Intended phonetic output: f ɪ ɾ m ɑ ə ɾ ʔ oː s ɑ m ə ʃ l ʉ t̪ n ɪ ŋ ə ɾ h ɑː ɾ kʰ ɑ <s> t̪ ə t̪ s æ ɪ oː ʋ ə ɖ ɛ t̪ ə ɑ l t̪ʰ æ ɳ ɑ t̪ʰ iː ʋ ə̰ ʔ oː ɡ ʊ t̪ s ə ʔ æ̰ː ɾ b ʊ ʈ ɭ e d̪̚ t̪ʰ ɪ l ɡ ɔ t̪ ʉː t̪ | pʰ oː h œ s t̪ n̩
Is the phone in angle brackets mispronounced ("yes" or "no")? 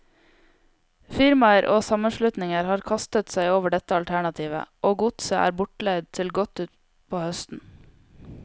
no